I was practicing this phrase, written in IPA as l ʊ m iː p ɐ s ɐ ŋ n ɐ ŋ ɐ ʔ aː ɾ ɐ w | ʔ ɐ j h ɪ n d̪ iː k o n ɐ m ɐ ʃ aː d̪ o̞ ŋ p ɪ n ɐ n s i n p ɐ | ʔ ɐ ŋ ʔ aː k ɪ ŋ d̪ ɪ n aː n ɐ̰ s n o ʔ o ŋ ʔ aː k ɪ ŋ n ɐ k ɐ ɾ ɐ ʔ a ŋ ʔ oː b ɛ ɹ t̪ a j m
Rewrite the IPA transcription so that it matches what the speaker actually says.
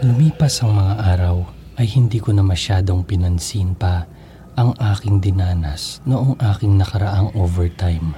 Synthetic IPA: l ʊ m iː p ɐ s ɐ ŋ m ɐ ŋ a ʔ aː ɾ ɐ w | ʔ ɐ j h ɪ n d̪ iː k o n ɐ m ɐ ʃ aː d̪ o̞ ŋ p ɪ n ɐ n s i n p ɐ | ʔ ɐ ŋ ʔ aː k ɪ ŋ d̪ ɪ n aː n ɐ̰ s n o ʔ o ŋ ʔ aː k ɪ ŋ n ɐ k ɐ ɾ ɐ ʔ a ŋ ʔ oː v ɛ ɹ t̪ a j m